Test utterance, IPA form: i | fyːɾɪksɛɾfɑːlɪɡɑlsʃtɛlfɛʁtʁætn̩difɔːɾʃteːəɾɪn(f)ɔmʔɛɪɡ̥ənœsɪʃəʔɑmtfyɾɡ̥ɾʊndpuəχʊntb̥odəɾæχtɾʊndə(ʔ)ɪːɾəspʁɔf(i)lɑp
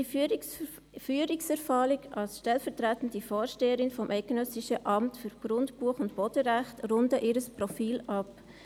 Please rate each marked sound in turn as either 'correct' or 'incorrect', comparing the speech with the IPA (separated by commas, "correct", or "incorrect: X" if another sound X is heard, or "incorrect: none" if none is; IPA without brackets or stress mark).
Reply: correct, correct, incorrect: iː